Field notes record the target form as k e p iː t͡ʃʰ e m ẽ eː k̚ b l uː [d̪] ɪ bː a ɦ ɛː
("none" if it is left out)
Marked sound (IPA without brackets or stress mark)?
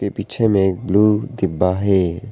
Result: d̪